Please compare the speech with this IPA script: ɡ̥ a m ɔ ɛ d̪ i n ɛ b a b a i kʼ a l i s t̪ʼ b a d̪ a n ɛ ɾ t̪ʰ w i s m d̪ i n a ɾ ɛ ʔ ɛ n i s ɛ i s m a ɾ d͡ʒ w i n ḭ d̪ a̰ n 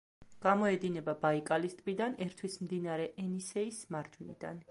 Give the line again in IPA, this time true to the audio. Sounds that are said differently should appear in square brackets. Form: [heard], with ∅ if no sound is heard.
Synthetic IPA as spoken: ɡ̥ a m ɔ ɛ d̪ i n ɛ b a b a i kʼ a l i s t̪ʼ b [i] d̪ a n ɛ ɾ t̪ʰ w i s m d̪ i n a ɾ ɛ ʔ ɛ n i s ɛ i s m a ɾ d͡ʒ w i n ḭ d̪ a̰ n